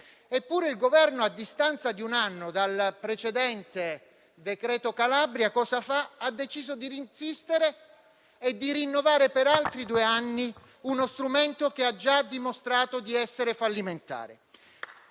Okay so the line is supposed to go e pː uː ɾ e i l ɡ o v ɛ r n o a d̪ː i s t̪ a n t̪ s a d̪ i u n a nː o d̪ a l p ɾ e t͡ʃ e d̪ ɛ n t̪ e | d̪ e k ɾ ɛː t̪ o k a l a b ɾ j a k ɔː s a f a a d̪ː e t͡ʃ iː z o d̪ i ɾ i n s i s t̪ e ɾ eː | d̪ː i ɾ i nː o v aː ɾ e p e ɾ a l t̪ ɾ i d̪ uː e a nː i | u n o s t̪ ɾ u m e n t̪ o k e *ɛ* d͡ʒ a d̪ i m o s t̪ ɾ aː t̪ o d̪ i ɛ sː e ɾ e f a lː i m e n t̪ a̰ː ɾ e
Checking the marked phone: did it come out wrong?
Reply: yes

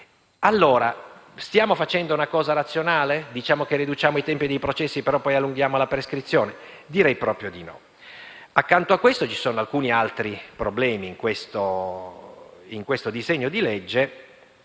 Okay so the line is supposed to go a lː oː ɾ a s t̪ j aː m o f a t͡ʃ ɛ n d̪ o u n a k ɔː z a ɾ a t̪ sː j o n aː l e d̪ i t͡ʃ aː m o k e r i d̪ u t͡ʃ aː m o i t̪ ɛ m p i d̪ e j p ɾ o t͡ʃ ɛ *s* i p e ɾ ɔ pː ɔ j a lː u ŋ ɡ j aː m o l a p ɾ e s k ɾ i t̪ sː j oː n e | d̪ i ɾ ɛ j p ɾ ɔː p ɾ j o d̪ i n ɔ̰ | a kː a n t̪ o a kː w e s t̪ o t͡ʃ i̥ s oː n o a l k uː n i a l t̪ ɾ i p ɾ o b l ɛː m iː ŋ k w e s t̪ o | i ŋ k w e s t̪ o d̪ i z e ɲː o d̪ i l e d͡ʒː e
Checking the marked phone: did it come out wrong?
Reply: yes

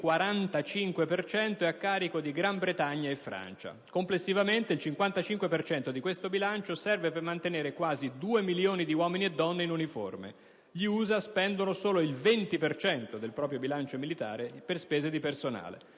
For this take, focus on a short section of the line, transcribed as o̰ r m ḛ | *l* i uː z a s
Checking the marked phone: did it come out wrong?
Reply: yes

